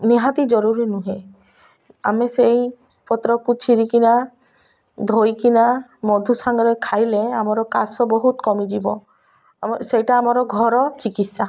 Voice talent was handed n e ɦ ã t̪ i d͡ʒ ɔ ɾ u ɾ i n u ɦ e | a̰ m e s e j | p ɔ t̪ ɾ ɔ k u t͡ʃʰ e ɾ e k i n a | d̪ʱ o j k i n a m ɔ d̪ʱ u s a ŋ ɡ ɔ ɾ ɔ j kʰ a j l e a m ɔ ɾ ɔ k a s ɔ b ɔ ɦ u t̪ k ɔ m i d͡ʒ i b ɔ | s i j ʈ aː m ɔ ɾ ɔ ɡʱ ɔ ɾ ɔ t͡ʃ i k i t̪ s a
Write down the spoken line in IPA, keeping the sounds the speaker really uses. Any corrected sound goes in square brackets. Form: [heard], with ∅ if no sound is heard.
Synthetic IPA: n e ɦ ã t̪ i d͡ʒ ɔ ɾ u ɾ i n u ɦ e | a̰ m e s e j | p ɔ t̪ ɾ ɔ k u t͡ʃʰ [i] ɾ [i] k i n a | d̪ʱ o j k i n a m ɔ d̪ʱ u s a ŋ ɡ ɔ ɾ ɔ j kʰ a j l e a m ɔ ɾ ɔ k a s ɔ b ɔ ɦ u t̪ k ɔ m i d͡ʒ i b ɔ | s [e] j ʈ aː m ɔ ɾ ɔ ɡʱ ɔ ɾ ɔ t͡ʃ i k i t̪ s a